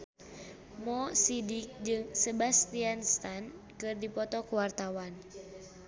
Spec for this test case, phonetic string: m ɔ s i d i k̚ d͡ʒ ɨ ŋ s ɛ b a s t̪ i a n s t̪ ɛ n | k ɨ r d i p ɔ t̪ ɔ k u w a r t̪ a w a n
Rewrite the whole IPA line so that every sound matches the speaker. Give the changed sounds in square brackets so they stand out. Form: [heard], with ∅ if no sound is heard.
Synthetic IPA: m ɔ s i d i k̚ d͡ʒ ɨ ŋ s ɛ b a s t̪ i a n s t̪ [a] n | k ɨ r d i p ɔ t̪ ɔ k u w a r t̪ a w a n